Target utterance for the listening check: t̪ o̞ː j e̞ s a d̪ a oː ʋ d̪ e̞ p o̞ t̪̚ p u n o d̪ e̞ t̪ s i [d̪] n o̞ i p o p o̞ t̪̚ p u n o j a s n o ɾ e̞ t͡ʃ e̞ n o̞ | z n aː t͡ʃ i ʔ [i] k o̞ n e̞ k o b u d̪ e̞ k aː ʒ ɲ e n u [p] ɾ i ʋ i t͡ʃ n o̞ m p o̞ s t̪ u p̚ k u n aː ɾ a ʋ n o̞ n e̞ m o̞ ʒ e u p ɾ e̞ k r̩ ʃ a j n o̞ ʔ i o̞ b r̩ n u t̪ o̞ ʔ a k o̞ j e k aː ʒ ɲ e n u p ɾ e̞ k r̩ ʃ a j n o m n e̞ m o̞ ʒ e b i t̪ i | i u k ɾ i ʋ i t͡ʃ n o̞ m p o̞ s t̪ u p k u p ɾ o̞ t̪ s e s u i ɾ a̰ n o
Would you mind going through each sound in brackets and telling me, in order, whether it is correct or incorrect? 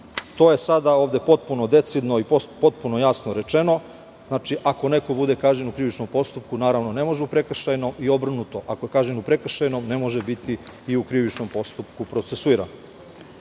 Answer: correct, incorrect: a, incorrect: k

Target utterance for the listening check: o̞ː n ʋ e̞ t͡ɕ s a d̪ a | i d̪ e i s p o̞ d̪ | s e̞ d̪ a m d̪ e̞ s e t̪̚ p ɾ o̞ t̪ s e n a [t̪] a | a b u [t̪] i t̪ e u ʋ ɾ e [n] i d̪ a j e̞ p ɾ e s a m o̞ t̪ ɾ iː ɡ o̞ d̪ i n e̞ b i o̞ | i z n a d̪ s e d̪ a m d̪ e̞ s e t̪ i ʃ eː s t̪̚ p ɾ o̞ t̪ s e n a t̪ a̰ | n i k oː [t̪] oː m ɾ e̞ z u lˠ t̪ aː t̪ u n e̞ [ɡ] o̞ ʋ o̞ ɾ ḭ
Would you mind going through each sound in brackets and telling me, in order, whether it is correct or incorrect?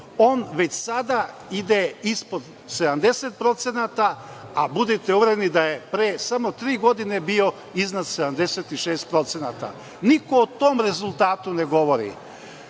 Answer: correct, incorrect: d̪, correct, correct, correct

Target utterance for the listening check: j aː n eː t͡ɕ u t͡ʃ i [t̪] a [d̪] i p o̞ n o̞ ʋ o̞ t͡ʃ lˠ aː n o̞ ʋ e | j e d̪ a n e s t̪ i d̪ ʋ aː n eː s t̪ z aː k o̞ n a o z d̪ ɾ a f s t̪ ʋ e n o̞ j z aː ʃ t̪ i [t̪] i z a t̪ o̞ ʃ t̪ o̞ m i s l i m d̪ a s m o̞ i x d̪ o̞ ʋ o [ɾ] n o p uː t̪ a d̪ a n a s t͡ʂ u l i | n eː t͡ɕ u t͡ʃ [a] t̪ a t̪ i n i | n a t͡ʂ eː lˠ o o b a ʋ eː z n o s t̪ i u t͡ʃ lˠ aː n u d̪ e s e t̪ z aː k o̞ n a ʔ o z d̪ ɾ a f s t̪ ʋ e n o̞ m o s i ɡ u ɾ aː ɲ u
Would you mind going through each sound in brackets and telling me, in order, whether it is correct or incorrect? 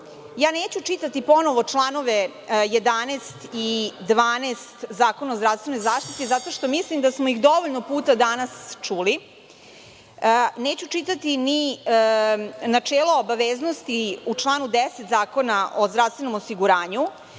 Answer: correct, incorrect: t̪, correct, incorrect: ʎ, incorrect: i

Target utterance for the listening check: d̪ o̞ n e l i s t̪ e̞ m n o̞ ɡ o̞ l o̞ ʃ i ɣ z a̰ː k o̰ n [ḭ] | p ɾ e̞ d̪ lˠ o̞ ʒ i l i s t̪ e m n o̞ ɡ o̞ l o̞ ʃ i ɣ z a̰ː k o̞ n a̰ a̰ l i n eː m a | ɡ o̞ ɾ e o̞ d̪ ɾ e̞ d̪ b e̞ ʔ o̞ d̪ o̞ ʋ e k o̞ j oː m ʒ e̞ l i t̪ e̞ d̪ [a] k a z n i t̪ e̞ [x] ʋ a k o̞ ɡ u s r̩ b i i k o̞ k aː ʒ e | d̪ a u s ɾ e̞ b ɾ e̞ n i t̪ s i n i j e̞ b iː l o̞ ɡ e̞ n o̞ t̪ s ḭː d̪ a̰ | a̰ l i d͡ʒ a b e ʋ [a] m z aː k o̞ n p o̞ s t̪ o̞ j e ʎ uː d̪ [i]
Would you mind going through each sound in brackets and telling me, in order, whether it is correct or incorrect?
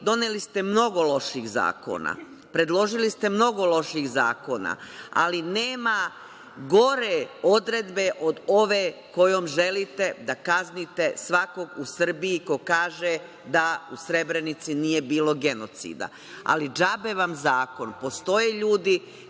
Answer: incorrect: a̰, correct, incorrect: s, correct, correct

